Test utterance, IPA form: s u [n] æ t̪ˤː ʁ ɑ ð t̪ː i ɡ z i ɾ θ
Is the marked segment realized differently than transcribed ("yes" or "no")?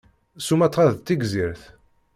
yes